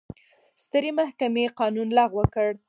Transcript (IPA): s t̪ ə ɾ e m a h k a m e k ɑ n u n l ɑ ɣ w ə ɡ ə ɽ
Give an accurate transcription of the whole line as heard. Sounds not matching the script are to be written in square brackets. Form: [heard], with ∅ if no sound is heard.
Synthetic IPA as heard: s t̪ ə ɾ e m a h k a m e [q] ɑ n u n l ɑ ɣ w ə [k] ə ɽ